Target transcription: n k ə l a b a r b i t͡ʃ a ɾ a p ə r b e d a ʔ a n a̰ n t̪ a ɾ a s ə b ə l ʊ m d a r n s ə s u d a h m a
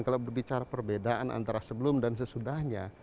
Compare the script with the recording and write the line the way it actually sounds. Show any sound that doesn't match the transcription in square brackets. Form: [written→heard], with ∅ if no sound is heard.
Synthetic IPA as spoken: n k [ə→a] l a b [a→ə] r b i t͡ʃ a ɾ a p ə r b e d a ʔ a n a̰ n t̪ a ɾ a s ə b ə l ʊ m d a [r→∅] n s ə s u d a h [m→ɲ] a